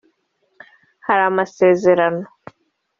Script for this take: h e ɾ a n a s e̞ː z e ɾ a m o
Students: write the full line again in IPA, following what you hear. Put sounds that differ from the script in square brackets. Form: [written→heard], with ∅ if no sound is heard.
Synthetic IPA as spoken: h [e→a] ɾ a [n→m] a s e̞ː z e ɾ a [m→n] o